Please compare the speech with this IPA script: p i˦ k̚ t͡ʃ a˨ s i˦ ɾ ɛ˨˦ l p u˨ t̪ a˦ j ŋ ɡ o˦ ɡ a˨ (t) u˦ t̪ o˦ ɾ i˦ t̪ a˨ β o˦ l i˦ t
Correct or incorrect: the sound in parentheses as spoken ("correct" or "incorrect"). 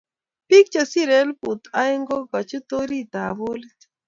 incorrect